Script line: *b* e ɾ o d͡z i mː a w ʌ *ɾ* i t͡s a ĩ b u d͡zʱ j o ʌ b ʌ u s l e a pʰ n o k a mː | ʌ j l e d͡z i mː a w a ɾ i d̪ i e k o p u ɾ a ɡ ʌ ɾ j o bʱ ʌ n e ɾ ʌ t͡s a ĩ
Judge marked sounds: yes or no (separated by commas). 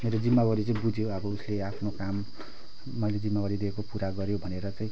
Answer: no, yes